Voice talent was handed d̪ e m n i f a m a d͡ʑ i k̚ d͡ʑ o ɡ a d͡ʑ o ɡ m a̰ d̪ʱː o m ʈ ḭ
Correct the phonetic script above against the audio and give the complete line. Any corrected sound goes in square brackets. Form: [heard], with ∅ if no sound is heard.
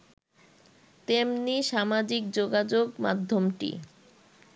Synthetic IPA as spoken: [t̪] e m n i [ʃ] a m a d͡ʑ i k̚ d͡ʑ o ɡ a d͡ʑ o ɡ m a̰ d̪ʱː o m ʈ ḭ